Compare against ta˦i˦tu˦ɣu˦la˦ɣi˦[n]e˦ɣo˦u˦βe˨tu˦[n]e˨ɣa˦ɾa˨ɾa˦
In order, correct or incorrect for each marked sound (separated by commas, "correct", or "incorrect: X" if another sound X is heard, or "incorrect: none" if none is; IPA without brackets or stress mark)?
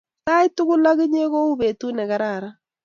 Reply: incorrect: ɲ, correct